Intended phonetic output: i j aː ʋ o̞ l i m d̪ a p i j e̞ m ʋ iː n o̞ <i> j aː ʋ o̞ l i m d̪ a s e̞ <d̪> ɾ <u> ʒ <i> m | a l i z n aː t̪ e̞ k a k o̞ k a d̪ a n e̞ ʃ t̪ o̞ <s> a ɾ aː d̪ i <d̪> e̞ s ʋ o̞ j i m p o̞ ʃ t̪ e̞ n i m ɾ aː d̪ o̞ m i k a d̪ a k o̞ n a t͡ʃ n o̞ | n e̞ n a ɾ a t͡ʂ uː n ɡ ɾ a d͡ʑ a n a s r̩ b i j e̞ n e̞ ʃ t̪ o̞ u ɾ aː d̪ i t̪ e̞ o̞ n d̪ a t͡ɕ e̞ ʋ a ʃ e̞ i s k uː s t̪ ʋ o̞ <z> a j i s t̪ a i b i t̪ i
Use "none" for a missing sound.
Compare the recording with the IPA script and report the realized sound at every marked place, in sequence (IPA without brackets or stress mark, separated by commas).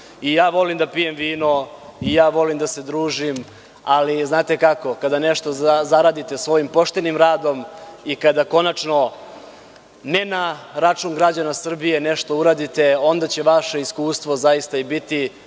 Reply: i, d̪, uː, i, z, t̪, z